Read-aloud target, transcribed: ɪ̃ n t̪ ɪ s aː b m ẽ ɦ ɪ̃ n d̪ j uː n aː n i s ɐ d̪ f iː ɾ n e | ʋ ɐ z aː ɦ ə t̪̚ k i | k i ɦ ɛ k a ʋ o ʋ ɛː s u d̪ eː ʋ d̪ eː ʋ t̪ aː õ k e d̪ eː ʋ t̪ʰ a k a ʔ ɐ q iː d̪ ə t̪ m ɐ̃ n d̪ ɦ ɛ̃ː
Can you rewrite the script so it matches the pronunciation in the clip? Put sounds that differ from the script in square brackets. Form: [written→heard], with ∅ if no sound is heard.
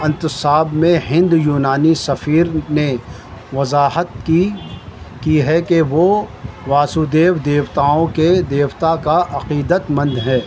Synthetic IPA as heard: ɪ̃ n t̪ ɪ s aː b m ẽ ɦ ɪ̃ n d̪ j uː n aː n i s ɐ [d̪→∅] f iː ɾ n e | ʋ ɐ z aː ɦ ə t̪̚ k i | k i ɦ ɛ k [a→e] ʋ o ʋ [ɛː→aː] s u d̪ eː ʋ d̪ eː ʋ t̪ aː õ k e d̪ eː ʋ [t̪ʰ→t̪] a k a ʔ ɐ q iː d̪ ə t̪ m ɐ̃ n d̪ ɦ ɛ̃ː

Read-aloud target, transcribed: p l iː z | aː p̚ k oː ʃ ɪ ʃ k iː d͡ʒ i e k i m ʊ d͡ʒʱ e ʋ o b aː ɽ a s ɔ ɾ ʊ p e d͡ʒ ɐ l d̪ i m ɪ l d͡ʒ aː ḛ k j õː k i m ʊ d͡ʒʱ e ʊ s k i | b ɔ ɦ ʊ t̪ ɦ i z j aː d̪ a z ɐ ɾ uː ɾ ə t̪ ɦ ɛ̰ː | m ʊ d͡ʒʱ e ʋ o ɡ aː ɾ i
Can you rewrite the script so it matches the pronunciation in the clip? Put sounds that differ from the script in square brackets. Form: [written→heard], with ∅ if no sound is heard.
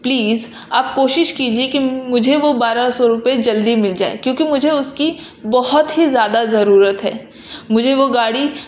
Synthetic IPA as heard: p l iː z | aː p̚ k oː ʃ ɪ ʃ k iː d͡ʒ i e k i m ʊ d͡ʒʱ e ʋ o b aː [ɽ→ɾ] a s ɔ ɾ ʊ p e d͡ʒ ɐ l d̪ i m ɪ l d͡ʒ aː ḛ k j õː k i m ʊ d͡ʒʱ e ʊ s k i | b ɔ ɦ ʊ t̪ ɦ i z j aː d̪ a z ɐ ɾ uː ɾ ə t̪ ɦ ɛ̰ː | m ʊ d͡ʒʱ e ʋ o ɡ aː [ɾ→ɽ] i

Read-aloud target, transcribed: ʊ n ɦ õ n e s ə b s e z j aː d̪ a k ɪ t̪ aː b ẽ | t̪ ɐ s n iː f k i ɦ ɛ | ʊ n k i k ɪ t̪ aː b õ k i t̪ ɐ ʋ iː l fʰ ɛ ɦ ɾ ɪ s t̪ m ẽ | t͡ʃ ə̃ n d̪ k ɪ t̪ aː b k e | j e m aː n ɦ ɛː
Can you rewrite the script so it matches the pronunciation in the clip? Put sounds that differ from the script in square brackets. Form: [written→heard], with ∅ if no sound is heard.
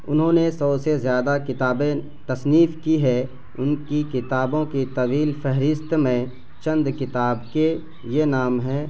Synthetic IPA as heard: ʊ n ɦ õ n e s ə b s e z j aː d̪ a k ɪ t̪ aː b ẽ | t̪ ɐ s n iː f k i ɦ ɛ | ʊ n k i k ɪ t̪ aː b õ k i t̪ ɐ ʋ iː l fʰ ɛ ɦ ɾ ɪ s t̪ m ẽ | t͡ʃ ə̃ n d̪ k ɪ t̪ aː b k e | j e [m→n] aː [n→m] ɦ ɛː

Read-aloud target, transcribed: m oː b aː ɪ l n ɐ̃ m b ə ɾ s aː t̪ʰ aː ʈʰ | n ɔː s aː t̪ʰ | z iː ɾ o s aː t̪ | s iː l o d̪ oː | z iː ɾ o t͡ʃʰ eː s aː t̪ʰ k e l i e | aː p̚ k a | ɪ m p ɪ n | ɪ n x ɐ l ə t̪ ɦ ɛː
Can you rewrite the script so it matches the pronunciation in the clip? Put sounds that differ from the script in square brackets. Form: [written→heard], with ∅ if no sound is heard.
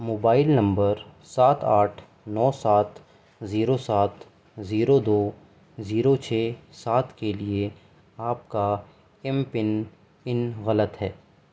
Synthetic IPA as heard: m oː b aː ɪ l n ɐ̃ m b ə ɾ s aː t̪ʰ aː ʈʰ | n ɔː s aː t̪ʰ | z iː ɾ o s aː t̪ | [s→z] iː [l→ɾ] o d̪ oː | z iː ɾ o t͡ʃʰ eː s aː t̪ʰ k e l i e | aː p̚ k a | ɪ m p ɪ n | ɪ n [x→ɣ] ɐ l ə t̪ ɦ ɛː

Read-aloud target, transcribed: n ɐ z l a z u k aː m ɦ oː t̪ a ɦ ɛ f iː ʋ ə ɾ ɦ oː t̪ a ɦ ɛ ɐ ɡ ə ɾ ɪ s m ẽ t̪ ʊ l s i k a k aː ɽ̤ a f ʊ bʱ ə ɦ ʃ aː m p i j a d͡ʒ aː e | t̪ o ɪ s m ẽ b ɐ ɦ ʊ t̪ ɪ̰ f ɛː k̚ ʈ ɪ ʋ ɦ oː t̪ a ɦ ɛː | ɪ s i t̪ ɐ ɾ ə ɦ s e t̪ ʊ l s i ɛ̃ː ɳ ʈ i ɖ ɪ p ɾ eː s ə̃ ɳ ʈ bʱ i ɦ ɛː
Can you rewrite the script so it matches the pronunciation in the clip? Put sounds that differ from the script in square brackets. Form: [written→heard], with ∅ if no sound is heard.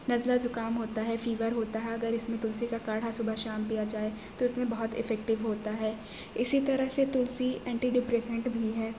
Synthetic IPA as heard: n ɐ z l a z [u→ʊ] k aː m ɦ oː t̪ a ɦ ɛ f iː ʋ ə ɾ ɦ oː t̪ a ɦ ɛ ɐ ɡ ə ɾ ɪ s m ẽ t̪ ʊ l s i k a k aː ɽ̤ a [f→s] ʊ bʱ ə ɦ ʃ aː m p i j a d͡ʒ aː e | t̪ o ɪ s m ẽ b ɐ ɦ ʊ t̪ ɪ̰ f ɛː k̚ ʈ ɪ ʋ ɦ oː t̪ a ɦ ɛː | ɪ s i t̪ ɐ ɾ ə ɦ s e t̪ ʊ l s i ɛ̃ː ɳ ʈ i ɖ ɪ p ɾ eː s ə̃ ɳ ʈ bʱ i ɦ ɛː

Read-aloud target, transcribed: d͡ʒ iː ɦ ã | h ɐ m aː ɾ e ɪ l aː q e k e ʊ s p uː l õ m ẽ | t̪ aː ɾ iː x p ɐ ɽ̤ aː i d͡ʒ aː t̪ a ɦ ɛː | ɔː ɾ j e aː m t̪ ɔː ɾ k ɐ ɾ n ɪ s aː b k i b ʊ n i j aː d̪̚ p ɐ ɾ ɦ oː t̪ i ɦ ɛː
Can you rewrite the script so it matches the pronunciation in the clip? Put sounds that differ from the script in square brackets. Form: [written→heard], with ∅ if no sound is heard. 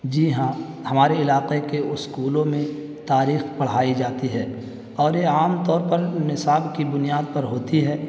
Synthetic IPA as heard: d͡ʒ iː ɦ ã | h ɐ m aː ɾ e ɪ l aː q e k e ʊ s [p→k] uː l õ m ẽ | t̪ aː ɾ iː x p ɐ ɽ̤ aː i d͡ʒ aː t̪ [a→i] ɦ ɛː | ɔː ɾ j e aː m t̪ ɔː ɾ [k→p] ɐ ɾ n ɪ s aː b k i b ʊ n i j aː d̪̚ p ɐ ɾ ɦ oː t̪ i ɦ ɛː

